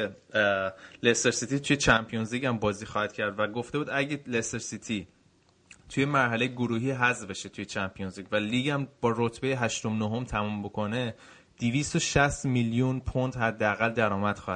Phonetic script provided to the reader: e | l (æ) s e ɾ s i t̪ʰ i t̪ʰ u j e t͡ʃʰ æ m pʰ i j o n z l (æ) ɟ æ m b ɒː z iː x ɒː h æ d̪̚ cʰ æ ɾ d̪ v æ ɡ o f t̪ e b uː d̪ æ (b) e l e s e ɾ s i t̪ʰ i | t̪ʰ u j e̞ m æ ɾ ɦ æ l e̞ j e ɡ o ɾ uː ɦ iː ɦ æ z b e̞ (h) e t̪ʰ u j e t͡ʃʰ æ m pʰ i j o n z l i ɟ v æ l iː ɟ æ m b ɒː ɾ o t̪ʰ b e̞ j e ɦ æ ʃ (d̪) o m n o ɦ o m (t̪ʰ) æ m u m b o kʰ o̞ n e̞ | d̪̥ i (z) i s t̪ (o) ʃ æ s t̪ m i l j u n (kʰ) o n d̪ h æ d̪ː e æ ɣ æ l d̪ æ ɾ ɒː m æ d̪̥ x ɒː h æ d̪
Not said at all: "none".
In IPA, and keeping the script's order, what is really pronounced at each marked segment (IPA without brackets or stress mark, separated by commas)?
e, i, ɟ, ʃ, t̪, t̪ʰ, v, o, pʰ